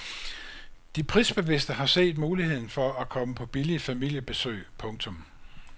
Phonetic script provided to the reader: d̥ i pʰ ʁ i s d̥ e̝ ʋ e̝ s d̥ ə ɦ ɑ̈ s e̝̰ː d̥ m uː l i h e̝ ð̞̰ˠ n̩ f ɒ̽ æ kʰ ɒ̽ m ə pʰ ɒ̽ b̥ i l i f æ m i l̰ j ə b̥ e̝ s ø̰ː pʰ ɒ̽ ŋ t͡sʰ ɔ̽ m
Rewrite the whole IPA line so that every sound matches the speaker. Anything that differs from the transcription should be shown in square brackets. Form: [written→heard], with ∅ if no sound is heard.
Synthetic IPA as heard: d̥ i pʰ ʁ i s [d̥→b̥] e̝ ʋ e̝ s d̥ ə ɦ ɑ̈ s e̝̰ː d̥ m uː l i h e̝ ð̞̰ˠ n̩ f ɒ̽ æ kʰ ɒ̽ m ə pʰ ɒ̽ b̥ i l i f æ m i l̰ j ə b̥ e̝ s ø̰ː pʰ [ɒ̽→ɔ̽] ŋ t͡sʰ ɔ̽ m